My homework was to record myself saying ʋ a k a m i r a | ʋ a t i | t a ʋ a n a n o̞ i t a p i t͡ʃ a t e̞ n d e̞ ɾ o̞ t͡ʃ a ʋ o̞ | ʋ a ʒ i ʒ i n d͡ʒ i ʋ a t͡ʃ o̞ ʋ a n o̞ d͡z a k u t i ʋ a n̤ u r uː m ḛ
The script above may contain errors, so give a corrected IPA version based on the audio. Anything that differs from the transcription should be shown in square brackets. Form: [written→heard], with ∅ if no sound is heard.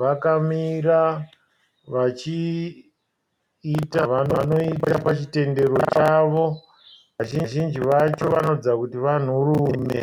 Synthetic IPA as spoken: ʋ a k a m i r a | ʋ a [t→t͡ʃ] i | t a ʋ a n a n o̞ i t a p [i→a] t͡ʃ [a→i] t e̞ n d e̞ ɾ o̞ t͡ʃ a ʋ o̞ | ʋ a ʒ i ʒ i n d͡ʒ i ʋ a t͡ʃ o̞ ʋ a n o̞ d͡z a k u t i ʋ a n̤ u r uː m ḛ